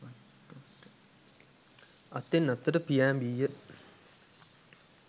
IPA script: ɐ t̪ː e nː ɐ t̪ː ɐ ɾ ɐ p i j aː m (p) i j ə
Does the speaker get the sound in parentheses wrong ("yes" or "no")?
yes